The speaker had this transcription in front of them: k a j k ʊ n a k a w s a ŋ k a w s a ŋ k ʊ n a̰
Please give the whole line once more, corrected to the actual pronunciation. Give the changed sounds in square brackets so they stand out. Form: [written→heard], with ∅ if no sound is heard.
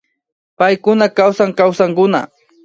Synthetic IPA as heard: [k→p] a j k ʊ n a k a w s a ŋ k a w s a ŋ k ʊ n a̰